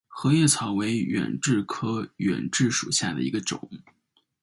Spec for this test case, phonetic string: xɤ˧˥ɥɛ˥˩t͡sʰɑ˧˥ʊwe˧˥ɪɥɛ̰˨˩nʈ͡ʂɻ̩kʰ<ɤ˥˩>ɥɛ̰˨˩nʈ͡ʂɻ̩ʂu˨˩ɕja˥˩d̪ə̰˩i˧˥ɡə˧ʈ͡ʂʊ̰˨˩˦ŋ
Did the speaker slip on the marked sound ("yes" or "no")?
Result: yes